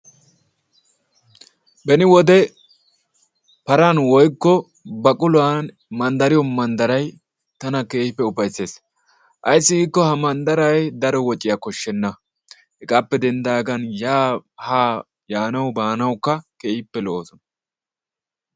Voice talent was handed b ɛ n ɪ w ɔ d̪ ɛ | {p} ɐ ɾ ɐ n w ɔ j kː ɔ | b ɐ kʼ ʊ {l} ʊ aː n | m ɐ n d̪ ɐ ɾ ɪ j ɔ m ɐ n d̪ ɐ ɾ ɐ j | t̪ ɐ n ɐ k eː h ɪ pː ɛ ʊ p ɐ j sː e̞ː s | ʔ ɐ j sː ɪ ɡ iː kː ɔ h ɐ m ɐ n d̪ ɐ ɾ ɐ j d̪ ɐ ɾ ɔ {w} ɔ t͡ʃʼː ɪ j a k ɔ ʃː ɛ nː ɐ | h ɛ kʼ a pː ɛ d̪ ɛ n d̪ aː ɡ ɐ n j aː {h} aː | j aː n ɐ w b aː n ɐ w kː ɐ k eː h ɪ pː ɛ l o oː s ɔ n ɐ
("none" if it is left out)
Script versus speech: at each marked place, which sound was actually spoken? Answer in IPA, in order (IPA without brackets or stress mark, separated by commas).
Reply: p, l, w, h